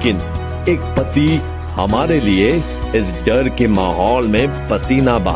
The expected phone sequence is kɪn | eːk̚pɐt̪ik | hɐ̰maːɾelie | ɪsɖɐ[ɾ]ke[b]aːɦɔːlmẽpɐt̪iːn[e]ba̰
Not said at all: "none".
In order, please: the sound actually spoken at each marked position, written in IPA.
ɾ, m, a

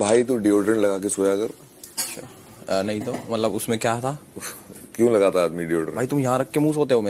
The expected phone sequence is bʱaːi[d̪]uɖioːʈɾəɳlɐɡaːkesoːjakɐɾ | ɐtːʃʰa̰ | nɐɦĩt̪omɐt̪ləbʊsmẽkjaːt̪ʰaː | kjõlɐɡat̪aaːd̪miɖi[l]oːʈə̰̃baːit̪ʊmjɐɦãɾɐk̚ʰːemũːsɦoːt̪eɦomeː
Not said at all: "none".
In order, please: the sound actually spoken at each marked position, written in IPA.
t̪, none

